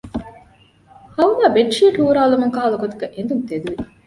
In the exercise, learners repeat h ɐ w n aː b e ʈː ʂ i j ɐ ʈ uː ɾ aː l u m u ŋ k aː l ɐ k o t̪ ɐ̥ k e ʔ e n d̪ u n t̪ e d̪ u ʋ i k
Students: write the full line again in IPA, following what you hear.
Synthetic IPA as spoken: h ɐ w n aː b e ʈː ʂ i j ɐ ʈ uː ɾ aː l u m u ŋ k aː l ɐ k o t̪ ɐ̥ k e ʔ e n d̪ u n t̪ e d̪ u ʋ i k